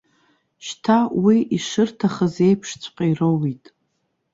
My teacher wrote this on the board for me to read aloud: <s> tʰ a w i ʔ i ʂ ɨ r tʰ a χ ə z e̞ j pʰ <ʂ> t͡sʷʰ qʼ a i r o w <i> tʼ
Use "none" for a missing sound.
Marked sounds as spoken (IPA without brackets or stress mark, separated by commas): ʃ, ʂ, i